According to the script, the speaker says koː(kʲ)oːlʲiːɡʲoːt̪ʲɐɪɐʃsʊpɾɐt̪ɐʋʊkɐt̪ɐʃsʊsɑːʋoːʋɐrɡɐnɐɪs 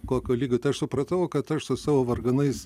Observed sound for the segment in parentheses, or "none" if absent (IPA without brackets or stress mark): kʲ